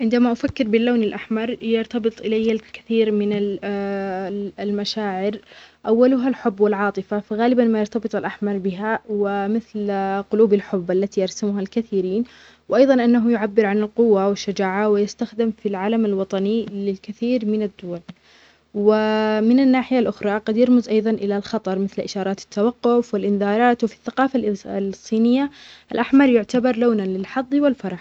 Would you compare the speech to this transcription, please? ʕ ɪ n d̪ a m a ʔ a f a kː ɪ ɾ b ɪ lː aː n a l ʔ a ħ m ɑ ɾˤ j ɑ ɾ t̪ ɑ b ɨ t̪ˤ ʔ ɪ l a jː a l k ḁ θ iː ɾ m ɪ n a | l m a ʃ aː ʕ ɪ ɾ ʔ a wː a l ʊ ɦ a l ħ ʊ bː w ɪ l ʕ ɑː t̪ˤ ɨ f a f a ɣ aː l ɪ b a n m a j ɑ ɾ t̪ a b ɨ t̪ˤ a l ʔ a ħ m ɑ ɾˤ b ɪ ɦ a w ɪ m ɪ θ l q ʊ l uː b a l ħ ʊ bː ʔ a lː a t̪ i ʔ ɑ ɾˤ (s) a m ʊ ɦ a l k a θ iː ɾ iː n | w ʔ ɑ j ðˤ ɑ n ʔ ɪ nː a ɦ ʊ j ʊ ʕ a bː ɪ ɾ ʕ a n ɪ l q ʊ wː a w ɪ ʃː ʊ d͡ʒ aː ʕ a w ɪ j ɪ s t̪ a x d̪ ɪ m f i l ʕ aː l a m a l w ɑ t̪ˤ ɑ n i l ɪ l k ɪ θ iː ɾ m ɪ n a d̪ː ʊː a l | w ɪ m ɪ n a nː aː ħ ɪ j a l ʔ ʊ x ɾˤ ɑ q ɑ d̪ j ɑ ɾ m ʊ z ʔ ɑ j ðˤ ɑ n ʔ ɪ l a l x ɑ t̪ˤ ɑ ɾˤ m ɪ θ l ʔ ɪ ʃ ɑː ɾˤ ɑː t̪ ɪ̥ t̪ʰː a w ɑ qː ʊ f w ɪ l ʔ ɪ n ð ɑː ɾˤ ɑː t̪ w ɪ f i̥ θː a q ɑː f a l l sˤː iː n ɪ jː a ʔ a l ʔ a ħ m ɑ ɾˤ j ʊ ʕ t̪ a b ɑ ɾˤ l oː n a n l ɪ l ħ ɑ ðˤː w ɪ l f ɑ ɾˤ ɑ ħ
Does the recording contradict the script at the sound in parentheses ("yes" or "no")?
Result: no